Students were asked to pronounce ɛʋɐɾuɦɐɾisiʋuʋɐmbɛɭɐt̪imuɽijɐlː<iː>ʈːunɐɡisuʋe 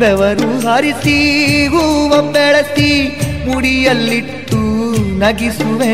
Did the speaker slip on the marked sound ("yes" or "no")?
yes